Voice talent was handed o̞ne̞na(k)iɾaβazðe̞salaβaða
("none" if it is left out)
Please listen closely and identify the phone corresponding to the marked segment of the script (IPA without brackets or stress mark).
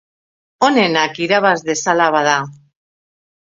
k